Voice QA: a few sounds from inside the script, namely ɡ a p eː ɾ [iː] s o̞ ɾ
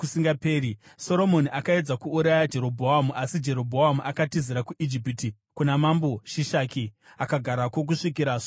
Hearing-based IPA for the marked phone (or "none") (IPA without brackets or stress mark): i